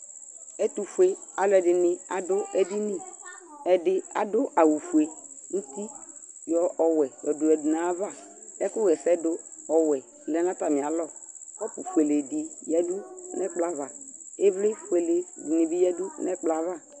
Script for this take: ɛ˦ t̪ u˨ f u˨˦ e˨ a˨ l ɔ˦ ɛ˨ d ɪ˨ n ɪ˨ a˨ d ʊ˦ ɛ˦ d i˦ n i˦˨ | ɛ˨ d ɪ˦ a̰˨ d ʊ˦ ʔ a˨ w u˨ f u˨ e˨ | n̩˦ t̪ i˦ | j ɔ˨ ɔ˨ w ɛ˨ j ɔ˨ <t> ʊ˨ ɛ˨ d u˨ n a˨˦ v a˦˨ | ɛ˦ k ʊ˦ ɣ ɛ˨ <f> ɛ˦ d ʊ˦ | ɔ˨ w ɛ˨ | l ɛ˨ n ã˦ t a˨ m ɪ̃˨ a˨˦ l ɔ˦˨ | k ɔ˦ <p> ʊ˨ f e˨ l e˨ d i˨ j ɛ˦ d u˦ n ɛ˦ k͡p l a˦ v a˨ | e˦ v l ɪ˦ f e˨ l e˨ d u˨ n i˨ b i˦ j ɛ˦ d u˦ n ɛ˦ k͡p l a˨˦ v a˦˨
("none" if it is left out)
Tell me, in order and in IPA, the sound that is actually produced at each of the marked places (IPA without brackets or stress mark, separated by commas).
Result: d, s, p